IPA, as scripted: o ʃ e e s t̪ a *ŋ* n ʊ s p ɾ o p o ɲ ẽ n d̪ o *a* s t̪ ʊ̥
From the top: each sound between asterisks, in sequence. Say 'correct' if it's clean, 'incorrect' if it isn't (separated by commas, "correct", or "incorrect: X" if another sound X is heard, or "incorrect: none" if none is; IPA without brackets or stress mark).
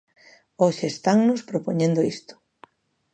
correct, incorrect: i